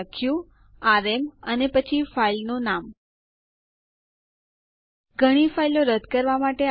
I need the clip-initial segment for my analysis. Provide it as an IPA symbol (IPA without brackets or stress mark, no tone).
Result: kʰ